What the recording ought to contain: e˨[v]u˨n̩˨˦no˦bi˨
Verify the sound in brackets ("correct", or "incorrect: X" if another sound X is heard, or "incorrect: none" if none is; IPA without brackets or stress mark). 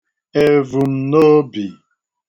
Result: correct